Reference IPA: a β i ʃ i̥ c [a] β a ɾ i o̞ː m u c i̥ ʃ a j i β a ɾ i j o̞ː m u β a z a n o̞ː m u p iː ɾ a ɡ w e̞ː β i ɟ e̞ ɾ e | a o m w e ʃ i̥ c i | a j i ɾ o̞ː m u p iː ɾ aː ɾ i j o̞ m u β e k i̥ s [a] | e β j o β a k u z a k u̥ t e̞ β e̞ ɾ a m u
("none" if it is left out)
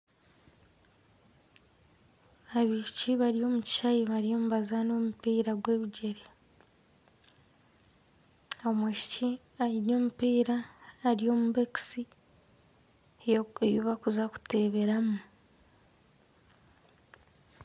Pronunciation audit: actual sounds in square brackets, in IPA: i, i

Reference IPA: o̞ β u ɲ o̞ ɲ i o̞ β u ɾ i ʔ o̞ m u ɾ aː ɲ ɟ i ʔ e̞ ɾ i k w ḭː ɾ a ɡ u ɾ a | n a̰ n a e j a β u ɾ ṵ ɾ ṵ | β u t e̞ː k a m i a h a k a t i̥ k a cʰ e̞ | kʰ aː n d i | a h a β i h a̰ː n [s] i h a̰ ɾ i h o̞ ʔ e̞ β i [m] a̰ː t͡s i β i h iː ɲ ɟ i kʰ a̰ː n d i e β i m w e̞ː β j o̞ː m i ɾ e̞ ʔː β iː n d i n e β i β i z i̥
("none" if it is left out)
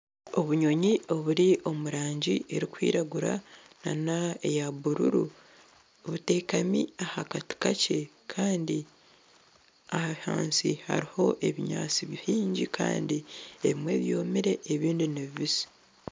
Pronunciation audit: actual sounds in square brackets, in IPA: s, ɲ

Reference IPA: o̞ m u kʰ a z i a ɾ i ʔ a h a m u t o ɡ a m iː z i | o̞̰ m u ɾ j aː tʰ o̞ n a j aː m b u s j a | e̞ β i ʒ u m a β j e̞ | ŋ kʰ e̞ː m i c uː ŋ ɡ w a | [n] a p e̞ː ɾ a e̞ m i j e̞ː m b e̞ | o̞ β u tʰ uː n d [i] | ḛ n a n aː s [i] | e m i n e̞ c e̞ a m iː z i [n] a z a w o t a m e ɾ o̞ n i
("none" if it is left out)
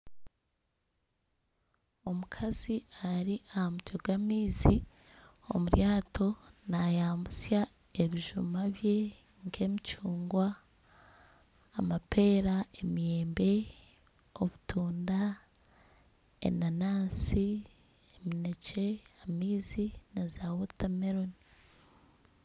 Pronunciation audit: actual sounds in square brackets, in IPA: m, a, i, n

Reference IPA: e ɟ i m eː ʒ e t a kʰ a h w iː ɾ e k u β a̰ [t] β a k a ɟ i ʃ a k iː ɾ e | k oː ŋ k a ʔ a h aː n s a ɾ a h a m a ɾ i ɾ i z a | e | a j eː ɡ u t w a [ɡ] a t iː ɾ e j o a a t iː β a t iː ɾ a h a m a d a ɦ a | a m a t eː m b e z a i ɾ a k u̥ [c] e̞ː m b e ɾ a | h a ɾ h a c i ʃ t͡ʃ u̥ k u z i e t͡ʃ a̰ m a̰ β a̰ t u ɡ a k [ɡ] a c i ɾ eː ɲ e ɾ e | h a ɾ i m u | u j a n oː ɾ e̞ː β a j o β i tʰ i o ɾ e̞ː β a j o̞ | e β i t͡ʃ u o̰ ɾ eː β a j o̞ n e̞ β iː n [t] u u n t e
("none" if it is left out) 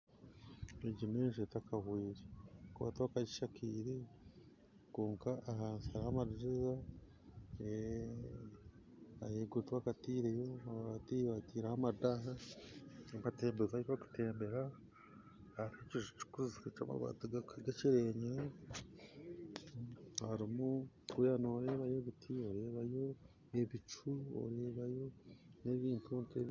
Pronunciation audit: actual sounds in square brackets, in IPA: t, k, t, ɡ, t

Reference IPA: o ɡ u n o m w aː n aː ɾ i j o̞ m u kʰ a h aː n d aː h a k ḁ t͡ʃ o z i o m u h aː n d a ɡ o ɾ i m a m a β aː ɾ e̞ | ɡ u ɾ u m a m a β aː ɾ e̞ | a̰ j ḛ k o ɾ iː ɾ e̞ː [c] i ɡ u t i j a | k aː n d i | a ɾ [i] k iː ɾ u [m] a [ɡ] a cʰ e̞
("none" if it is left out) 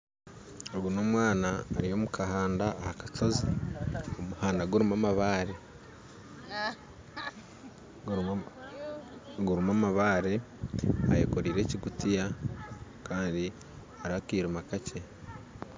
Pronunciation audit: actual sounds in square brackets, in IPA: c, a, m, k

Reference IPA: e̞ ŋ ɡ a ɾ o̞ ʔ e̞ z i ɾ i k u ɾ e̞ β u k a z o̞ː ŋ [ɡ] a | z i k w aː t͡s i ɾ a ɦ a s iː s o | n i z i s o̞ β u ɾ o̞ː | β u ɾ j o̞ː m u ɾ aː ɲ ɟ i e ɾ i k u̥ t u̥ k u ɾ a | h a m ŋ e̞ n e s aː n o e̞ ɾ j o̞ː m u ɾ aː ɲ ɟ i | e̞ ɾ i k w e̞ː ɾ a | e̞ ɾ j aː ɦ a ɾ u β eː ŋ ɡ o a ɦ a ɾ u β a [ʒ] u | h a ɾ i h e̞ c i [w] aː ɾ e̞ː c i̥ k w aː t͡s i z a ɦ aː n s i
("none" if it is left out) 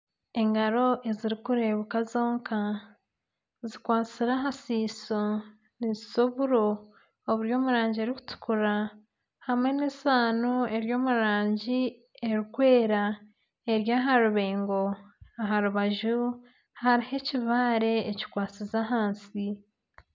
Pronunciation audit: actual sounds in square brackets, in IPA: k, ʒ, β

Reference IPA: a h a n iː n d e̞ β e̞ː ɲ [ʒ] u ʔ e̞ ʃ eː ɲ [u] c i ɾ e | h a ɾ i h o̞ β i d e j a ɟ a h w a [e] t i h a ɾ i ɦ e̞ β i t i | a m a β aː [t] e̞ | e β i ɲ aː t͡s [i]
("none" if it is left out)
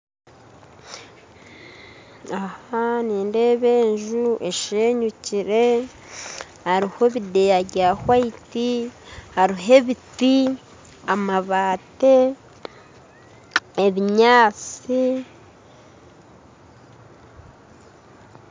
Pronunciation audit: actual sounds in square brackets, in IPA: ʒ, u, i, t, i

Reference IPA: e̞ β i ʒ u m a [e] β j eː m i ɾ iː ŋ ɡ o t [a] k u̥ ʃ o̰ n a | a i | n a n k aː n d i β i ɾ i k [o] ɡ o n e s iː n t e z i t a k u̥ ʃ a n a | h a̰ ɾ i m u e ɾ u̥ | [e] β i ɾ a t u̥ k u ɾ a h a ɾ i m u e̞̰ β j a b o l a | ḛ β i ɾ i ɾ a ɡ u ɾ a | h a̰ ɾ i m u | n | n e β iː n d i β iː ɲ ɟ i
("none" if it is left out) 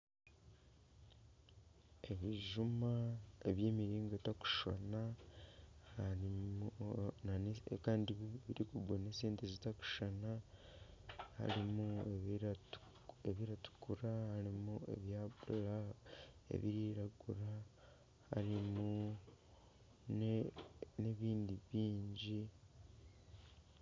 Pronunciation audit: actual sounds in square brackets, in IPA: e, a, u, e

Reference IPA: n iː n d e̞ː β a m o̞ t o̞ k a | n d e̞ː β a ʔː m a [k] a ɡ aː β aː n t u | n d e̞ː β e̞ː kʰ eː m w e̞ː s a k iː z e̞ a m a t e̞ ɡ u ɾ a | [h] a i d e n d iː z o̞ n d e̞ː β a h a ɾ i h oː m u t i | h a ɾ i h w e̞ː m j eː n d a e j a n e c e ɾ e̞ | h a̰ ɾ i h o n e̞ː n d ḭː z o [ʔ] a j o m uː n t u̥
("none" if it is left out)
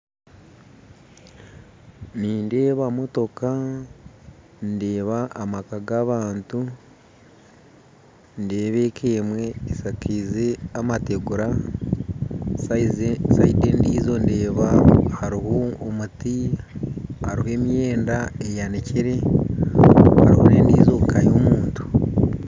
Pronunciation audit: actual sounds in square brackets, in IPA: k, s, k

